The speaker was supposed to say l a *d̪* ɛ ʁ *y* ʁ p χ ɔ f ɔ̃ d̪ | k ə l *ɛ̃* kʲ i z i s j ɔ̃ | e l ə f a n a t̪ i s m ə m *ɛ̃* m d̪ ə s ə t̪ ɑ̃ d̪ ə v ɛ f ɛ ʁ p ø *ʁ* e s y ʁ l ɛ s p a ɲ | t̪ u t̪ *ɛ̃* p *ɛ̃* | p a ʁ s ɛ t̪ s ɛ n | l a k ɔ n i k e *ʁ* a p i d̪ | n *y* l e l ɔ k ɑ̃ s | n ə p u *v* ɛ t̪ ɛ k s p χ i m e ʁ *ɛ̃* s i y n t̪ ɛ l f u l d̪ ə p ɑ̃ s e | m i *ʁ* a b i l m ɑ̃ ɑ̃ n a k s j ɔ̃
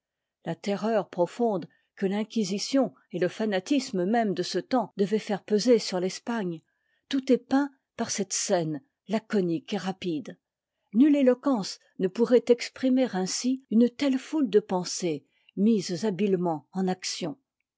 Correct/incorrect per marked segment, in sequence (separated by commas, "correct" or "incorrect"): incorrect, incorrect, correct, incorrect, incorrect, incorrect, correct, correct, correct, incorrect, correct, incorrect